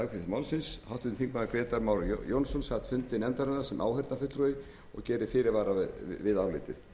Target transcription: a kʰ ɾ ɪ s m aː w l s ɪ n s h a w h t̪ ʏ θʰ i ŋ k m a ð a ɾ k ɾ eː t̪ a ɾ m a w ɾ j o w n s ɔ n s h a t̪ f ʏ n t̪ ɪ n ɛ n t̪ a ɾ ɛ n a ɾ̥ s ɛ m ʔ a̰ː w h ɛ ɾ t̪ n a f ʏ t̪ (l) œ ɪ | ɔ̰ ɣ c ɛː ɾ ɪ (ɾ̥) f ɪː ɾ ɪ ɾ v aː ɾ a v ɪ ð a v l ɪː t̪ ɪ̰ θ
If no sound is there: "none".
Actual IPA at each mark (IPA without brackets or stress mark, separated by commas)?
ɾ, none